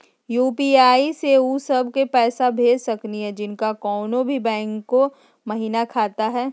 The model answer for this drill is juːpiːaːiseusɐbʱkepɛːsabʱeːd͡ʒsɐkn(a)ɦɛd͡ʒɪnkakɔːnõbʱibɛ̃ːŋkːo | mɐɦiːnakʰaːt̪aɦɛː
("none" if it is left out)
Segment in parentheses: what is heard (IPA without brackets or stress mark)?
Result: i